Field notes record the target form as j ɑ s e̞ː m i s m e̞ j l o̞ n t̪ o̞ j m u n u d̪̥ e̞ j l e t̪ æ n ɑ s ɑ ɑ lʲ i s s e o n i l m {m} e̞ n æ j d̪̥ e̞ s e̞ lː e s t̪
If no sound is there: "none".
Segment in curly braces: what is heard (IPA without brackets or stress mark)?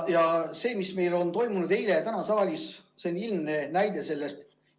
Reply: n